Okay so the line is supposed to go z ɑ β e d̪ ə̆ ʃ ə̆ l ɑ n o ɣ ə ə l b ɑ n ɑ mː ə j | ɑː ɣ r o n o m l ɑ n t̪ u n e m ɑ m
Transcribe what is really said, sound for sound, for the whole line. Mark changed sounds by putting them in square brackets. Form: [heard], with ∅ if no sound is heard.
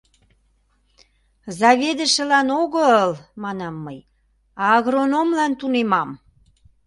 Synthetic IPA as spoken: z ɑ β e d̪ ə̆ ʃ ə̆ l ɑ n o ɣ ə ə l [m] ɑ n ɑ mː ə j | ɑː ɣ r o n o m l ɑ n t̪ u n e m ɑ m